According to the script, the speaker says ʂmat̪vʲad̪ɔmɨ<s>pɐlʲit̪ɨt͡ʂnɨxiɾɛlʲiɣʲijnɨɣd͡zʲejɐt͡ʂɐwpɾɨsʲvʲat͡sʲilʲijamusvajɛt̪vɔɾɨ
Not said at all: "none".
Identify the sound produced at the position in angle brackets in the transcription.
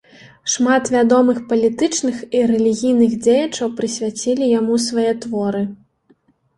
x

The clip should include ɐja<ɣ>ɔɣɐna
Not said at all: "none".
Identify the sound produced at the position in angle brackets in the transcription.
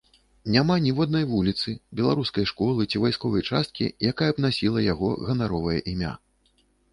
ɣ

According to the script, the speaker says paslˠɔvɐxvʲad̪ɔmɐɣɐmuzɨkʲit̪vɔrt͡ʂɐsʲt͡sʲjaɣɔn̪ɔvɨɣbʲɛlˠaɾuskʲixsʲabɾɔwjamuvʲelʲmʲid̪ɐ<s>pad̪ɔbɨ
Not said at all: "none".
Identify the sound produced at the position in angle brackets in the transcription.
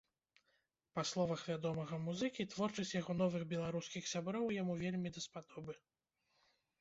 s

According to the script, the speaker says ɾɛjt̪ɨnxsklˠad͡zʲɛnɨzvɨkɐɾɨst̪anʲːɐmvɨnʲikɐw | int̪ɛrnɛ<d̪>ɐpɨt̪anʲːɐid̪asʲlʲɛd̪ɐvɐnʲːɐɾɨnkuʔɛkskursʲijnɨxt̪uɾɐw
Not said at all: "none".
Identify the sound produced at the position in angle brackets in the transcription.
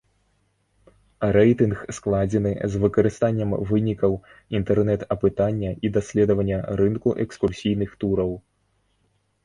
t̪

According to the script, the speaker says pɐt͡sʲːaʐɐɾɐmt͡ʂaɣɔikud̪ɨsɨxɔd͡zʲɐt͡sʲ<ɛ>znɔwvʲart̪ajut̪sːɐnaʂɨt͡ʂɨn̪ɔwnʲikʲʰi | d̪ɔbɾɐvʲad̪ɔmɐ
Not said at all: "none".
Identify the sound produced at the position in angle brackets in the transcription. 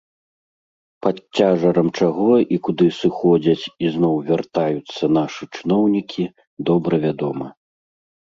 i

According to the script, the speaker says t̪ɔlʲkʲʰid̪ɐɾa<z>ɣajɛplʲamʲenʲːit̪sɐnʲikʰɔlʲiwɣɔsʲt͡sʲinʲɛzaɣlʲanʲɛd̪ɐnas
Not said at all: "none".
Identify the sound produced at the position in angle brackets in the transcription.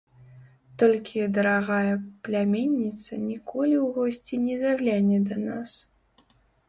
none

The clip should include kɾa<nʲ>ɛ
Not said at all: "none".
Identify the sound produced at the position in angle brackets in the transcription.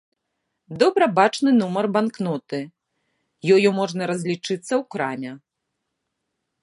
mʲ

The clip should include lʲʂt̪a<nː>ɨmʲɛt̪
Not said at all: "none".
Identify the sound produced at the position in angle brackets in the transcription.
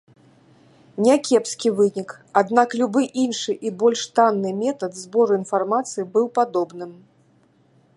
nː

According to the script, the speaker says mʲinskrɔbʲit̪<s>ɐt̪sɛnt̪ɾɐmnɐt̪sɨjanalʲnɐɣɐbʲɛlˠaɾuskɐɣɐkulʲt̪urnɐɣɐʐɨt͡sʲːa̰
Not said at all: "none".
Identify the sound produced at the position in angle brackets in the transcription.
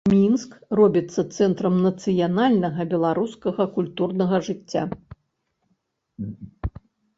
sː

